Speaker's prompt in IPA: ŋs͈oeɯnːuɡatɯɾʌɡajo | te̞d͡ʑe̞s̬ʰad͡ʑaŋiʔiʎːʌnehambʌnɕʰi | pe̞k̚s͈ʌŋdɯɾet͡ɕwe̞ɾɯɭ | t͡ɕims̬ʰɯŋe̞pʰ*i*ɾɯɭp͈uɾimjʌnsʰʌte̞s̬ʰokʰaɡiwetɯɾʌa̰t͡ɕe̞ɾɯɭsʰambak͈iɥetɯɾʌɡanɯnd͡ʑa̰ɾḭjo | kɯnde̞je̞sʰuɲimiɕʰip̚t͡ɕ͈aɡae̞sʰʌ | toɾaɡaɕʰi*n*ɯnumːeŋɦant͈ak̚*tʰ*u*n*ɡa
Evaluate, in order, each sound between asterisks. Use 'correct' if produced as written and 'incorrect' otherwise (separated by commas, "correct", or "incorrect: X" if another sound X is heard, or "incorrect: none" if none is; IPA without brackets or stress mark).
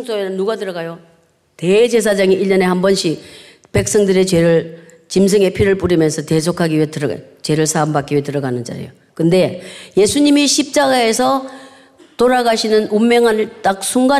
correct, correct, incorrect: sʰ, incorrect: ŋ